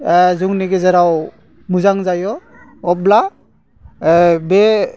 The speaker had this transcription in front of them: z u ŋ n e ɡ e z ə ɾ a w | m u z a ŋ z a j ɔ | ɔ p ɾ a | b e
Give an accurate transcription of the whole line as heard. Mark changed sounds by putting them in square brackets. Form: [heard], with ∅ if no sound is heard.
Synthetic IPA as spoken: z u ŋ n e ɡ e z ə ɾ a w | m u z a ŋ z a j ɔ | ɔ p [l] a | b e